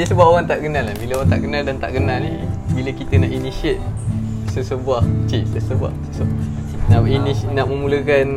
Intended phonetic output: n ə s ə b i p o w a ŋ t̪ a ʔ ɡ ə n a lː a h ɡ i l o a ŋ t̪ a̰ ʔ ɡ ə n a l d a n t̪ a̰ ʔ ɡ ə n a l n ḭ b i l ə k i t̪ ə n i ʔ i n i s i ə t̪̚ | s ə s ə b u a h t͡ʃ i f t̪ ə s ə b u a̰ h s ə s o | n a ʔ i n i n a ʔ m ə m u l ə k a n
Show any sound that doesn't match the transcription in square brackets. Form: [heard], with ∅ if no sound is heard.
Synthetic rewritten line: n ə s ə b [a] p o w a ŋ t̪ a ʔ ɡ ə n a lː a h [b] i l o a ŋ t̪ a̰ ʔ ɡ ə n a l d a n t̪ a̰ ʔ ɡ ə n a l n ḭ b i l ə k i t̪ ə n [a] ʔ i n i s i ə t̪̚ | s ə s ə b u a h t͡ʃ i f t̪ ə s ə b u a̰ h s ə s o | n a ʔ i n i n a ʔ m ə m u l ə k a n